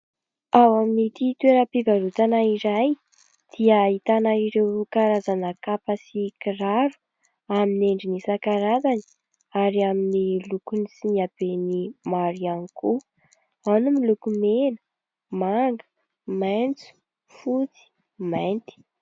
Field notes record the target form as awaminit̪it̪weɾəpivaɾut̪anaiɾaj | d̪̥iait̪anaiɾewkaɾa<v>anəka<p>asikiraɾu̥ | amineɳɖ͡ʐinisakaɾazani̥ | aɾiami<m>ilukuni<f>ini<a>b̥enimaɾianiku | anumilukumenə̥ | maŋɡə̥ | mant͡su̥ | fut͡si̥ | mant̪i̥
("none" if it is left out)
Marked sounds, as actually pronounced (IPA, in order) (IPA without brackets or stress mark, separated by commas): z, p, n, s, a